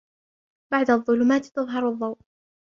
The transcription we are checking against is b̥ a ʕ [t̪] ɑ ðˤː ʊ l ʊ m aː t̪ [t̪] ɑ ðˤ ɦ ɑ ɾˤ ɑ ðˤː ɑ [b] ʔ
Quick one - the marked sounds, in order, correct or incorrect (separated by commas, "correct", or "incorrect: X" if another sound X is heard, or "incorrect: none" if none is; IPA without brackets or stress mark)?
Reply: incorrect: d̪, correct, incorrect: w